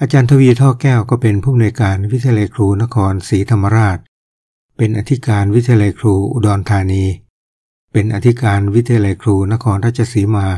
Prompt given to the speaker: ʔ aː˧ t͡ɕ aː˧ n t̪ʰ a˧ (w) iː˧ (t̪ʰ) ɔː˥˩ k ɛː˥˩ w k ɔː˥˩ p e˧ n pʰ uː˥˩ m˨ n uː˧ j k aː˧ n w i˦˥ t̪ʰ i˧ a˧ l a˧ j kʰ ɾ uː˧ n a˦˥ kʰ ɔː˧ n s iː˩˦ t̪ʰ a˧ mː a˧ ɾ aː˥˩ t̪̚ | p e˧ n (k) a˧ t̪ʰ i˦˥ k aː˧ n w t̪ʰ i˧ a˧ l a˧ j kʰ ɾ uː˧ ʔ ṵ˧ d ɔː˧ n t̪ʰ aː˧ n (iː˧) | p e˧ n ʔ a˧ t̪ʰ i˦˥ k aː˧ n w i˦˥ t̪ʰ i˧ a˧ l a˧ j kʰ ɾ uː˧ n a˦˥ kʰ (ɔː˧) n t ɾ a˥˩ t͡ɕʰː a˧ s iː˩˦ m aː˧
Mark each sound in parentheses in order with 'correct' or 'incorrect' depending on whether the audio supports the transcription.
correct, correct, incorrect, correct, correct

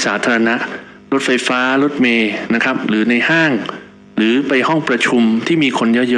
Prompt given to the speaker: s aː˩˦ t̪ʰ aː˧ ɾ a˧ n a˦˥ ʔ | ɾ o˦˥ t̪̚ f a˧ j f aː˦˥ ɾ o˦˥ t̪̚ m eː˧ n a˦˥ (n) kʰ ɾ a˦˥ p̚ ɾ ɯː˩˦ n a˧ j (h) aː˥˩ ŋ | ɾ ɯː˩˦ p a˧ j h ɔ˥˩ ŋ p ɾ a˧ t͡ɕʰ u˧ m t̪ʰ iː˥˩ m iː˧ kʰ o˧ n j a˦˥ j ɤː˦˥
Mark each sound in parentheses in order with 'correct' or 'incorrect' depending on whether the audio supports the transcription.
incorrect, correct

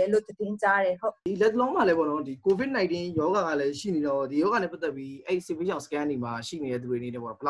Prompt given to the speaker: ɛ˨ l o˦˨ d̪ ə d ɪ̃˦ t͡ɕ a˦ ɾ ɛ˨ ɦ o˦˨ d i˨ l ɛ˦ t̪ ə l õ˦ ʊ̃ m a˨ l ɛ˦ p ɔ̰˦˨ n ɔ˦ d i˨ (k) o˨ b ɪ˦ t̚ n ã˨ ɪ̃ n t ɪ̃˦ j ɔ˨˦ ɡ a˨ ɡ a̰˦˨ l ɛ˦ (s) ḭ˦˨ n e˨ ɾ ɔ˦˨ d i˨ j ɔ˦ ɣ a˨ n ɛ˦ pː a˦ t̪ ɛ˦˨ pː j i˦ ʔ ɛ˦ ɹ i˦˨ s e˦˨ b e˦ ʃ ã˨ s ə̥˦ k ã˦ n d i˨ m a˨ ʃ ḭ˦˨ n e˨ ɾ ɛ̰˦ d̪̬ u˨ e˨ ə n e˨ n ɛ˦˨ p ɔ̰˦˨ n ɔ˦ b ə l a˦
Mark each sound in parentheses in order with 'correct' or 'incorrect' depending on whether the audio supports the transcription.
correct, incorrect

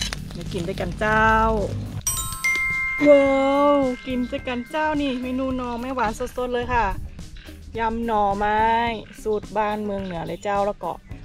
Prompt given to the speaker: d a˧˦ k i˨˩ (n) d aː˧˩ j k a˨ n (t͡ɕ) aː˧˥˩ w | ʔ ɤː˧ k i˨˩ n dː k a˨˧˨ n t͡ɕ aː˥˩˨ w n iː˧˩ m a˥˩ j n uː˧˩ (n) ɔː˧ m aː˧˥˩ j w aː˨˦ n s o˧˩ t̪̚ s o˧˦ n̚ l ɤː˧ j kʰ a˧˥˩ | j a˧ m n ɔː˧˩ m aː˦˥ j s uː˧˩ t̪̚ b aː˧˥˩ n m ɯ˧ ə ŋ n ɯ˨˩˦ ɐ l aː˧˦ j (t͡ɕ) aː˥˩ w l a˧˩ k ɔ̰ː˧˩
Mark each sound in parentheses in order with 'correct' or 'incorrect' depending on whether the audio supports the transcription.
correct, correct, correct, correct

